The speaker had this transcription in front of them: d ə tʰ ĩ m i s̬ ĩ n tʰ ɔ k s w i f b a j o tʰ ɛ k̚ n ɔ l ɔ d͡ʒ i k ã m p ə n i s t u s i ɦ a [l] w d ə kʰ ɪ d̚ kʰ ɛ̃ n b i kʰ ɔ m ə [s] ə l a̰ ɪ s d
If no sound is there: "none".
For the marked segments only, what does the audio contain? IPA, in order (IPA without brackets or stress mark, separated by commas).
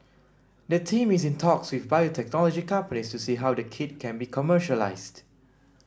none, ʃ